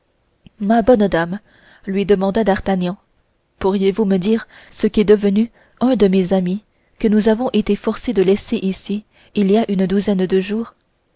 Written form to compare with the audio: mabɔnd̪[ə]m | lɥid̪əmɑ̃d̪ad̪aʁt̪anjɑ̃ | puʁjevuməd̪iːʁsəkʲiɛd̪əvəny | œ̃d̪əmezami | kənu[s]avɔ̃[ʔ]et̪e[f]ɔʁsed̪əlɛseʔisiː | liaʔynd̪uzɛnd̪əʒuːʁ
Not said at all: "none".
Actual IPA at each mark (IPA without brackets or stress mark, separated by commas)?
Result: a, z, ʔ, f